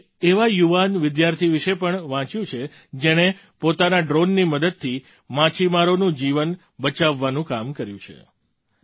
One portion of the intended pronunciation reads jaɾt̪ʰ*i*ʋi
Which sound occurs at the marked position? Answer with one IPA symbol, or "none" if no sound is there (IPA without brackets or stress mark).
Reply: i